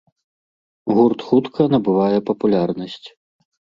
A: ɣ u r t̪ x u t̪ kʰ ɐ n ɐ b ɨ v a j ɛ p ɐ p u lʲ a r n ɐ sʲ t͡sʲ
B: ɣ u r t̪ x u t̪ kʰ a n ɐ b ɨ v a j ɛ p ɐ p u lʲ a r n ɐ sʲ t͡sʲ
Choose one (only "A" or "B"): A